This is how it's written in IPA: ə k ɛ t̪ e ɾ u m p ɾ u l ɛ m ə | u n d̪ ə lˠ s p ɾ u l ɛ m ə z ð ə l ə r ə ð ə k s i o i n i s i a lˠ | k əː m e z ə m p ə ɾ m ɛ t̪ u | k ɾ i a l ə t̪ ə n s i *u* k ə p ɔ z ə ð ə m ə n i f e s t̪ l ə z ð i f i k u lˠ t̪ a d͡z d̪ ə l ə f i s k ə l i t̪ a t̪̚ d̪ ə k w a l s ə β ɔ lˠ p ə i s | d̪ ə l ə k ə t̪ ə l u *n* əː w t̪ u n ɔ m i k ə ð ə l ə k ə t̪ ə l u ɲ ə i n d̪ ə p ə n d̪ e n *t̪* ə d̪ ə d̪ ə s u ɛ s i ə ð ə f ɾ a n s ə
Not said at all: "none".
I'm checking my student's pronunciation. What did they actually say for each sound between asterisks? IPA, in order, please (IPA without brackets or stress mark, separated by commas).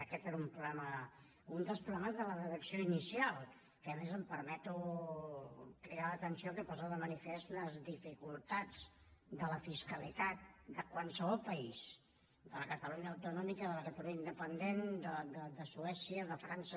o, ɲ, d̪